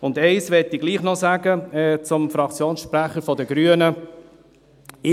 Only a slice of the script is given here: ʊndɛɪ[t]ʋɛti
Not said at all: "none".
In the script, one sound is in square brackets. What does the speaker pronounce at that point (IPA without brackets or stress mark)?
s